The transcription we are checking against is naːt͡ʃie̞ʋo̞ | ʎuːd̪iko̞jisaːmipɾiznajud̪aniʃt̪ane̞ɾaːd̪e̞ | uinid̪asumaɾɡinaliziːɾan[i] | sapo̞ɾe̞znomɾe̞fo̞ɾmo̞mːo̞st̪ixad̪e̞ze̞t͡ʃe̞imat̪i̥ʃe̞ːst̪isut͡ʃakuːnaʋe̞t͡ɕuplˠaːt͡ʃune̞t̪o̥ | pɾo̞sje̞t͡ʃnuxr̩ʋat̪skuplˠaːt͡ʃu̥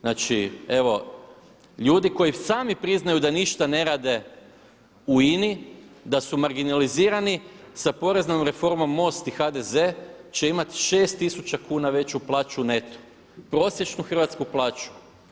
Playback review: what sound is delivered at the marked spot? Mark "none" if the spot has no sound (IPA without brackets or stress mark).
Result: i